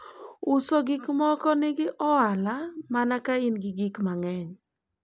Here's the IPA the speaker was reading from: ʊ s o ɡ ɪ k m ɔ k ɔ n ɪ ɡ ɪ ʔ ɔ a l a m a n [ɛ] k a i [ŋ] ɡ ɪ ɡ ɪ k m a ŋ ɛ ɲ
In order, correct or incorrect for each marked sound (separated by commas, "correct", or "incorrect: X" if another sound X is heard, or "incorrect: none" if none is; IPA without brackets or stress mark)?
incorrect: a, incorrect: n